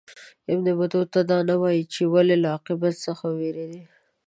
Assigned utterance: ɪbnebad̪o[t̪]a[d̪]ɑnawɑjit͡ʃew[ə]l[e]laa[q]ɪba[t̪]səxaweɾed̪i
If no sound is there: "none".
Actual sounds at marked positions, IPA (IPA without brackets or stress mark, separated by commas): t̪, d̪, a, e, q, t̪